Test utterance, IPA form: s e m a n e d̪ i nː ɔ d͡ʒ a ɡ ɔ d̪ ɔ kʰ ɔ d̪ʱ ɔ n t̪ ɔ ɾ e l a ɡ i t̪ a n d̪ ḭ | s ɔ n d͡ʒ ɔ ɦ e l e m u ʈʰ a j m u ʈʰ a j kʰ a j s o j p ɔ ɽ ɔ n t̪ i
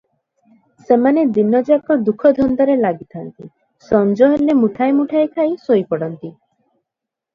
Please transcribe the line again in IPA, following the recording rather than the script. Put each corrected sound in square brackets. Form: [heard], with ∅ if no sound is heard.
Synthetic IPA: s e m a n e d̪ i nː ɔ d͡ʒ a [k] ɔ d̪ [u] kʰ ɔ d̪ʱ ɔ n [d̪] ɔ ɾ e l a ɡ i [t̪ʰ] a n [t̪] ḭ | s ɔ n d͡ʒ ɔ ɦ e l e m u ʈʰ a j m u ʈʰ a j kʰ a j s o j p ɔ ɽ ɔ n t̪ i